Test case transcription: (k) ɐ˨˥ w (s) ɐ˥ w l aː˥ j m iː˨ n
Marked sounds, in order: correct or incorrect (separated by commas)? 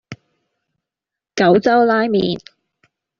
correct, incorrect